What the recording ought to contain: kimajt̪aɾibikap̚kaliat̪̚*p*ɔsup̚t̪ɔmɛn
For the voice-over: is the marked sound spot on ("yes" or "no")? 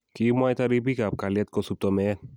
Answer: no